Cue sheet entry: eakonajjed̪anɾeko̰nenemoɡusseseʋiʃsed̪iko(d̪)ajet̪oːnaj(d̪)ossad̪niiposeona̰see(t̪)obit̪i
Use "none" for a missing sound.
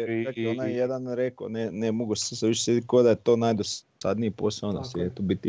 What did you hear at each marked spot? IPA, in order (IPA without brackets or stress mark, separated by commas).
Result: d̪, d̪, t̪